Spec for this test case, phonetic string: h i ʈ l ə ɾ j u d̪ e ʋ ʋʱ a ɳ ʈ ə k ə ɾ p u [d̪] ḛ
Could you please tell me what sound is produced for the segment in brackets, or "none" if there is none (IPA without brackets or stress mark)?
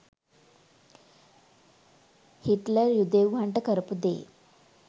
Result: d̪